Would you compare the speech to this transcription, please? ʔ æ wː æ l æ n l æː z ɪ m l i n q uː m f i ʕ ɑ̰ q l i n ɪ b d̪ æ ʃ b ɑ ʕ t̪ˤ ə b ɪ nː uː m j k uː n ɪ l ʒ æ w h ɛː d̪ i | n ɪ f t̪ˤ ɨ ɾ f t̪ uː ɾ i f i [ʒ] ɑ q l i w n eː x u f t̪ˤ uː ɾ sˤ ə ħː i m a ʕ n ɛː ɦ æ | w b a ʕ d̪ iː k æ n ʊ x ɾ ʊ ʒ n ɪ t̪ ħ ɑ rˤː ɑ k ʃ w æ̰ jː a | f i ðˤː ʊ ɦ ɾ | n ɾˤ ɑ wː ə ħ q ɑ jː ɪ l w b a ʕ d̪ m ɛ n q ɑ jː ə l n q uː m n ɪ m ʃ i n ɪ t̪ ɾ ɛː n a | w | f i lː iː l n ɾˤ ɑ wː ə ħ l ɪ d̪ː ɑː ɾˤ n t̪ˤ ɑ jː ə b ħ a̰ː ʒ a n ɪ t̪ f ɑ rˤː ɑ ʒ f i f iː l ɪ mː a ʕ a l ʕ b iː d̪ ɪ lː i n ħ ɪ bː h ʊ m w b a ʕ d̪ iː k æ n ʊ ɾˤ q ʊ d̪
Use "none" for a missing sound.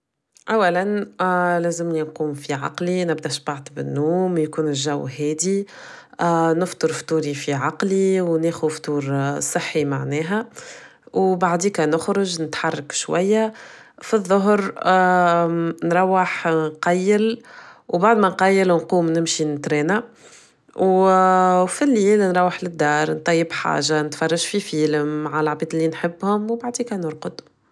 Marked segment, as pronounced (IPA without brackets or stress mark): ʕ